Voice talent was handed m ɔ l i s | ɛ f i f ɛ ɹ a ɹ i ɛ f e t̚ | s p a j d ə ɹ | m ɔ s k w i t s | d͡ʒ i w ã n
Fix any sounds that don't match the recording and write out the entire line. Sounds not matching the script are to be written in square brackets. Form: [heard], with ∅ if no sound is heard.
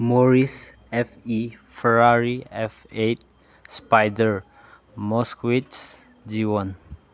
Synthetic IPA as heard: m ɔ [ɹ] i s | ɛ f i f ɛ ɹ a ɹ i ɛ f e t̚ | s p a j d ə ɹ | m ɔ s k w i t s | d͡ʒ i w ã n

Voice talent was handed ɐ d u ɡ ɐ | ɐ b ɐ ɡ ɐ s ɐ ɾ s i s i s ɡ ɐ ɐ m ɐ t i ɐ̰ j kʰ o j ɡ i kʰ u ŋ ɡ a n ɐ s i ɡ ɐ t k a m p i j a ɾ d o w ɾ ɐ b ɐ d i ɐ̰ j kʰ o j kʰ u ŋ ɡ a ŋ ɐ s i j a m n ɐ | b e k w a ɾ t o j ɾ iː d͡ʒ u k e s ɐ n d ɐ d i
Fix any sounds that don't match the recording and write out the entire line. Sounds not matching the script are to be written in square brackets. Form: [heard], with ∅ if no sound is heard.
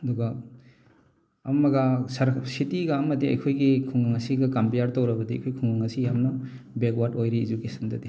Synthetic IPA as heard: ɐ d u ɡ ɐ | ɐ [m] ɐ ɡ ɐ s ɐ ɾ s i [t] i [∅] ɡ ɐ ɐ m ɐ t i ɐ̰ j kʰ o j ɡ i kʰ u ŋ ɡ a [ŋ] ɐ s i ɡ ɐ [∅] k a m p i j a ɾ [t] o w ɾ ɐ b ɐ d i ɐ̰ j kʰ o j kʰ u ŋ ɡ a ŋ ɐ s i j a m n ɐ | b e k w a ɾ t o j ɾ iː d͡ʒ u k e s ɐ n d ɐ d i

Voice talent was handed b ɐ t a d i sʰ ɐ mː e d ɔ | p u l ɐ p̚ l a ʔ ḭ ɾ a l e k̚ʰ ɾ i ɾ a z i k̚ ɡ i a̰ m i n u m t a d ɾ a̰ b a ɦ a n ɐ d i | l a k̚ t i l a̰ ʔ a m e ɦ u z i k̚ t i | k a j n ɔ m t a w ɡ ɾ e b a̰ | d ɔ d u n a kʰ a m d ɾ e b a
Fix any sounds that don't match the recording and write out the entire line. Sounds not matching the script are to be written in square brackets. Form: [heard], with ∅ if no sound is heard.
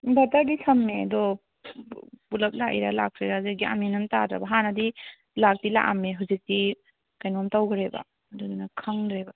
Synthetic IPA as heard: b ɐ t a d i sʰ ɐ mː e d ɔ | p u l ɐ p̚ l a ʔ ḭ ɾ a l [a] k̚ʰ ɾ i ɾ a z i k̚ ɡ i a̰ m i n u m t a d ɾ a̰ b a ɦ a n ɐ d i | l a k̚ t i l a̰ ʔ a m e ɦ u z i k̚ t i | k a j n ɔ m t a w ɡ ɾ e b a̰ | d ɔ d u n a kʰ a [ŋ] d ɾ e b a

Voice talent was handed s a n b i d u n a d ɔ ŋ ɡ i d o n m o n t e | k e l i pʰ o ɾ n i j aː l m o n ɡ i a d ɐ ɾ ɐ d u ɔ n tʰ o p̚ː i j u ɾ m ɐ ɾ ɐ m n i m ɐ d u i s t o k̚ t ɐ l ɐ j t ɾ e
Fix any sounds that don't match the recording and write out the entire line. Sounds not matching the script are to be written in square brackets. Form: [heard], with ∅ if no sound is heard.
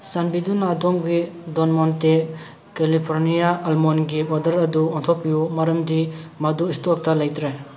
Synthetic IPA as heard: s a n b i d u n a d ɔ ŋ ɡ i d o n m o n t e | k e l i pʰ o ɾ n i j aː l m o n ɡ i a d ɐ ɾ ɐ d u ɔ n tʰ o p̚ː i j u [∅] m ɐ ɾ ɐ m [d] i m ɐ d u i s t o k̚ t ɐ l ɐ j t ɾ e

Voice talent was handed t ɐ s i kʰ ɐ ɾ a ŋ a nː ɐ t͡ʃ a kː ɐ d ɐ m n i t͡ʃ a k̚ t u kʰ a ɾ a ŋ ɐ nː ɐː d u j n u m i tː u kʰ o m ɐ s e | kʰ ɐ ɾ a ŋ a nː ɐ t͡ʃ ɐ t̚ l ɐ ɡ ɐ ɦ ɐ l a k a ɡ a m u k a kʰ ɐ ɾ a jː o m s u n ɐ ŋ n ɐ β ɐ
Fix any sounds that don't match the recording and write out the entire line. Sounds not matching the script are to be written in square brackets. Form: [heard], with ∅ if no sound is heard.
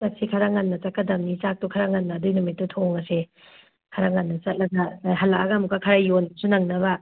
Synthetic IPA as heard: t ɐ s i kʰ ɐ ɾ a ŋ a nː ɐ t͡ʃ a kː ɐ d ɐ m n i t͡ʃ a k̚ t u kʰ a ɾ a ŋ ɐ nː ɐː d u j n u m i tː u [tʰ] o [ŋ] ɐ s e | kʰ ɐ ɾ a ŋ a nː ɐ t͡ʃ ɐ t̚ l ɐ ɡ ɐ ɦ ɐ l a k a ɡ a m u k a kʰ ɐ ɾ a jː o [n] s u n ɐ ŋ n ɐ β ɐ

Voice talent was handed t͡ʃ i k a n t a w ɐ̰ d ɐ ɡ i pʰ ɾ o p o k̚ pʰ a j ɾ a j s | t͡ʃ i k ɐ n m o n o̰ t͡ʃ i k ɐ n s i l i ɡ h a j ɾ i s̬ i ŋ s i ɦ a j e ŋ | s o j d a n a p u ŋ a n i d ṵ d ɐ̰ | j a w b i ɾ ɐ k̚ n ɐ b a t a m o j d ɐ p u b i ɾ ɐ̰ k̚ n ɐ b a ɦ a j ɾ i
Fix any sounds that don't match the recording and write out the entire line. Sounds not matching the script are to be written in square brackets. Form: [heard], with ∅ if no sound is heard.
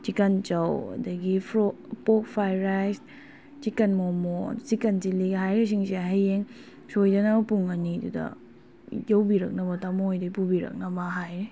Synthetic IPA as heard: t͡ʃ i k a n [t͡ʃ] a w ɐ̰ d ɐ ɡ i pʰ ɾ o p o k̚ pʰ a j ɾ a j s | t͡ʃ i k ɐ n m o [m] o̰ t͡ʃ i k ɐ n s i l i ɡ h a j ɾ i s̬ i ŋ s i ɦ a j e ŋ | s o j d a n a p u ŋ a n i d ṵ d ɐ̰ | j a w b i ɾ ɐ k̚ n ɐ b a t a m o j d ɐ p u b i ɾ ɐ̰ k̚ n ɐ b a ɦ a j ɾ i

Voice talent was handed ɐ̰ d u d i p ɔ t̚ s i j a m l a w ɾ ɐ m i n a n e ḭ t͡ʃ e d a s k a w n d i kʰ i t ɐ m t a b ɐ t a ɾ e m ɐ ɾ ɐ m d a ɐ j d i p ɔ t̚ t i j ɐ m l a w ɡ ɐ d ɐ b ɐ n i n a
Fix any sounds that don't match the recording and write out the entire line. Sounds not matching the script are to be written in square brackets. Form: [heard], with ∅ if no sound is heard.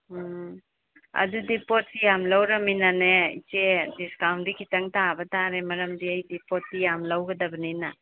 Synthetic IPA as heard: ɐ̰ d u d i p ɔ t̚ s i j a m l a w ɾ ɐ m i n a n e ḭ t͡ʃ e d [i] s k a w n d i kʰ i t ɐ [ŋ] t a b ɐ t a ɾ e m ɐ ɾ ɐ m d [i] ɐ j d i p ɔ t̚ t i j [a] m l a w ɡ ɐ d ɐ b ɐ n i n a

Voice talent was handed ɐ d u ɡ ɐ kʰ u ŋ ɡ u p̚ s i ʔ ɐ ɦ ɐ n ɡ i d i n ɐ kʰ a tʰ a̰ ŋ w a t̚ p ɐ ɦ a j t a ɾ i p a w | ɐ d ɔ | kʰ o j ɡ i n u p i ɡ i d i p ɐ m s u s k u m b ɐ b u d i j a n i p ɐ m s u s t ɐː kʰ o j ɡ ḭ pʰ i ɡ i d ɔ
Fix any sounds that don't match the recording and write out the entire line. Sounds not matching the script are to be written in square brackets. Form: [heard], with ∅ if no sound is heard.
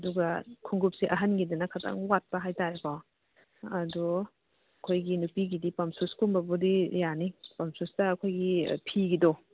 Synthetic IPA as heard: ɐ d u ɡ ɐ kʰ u ŋ ɡ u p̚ s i ʔ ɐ ɦ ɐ n ɡ i d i n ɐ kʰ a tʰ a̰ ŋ w a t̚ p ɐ ɦ a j t a ɾ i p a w | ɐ d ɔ | kʰ o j ɡ i n u p i ɡ i d i p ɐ m s u s k u m b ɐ b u d i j a n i p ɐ m s u s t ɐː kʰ o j ɡ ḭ pʰ i ɡ i d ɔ

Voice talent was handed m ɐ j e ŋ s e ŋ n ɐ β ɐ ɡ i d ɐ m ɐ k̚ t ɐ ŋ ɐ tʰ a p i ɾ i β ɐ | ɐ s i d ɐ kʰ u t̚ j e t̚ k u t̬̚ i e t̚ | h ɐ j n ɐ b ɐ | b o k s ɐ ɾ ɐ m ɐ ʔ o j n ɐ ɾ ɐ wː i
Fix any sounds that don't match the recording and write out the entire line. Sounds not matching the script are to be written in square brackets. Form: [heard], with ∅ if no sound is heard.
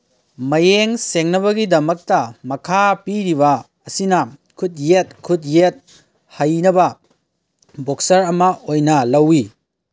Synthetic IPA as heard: m ɐ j e ŋ s e ŋ n ɐ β ɐ ɡ i d ɐ m ɐ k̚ t ɐ [m] ɐ [kʰ] a p i ɾ i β ɐ | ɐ s i [n] ɐ kʰ u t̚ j e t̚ [kʰ] u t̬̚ [j] e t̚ | h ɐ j n ɐ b ɐ | b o k s ɐ ɾ ɐ m ɐ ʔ o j n ɐ [l] ɐ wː i

